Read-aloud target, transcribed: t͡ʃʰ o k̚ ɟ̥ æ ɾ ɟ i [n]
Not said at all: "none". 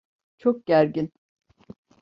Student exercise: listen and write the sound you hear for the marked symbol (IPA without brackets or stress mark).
n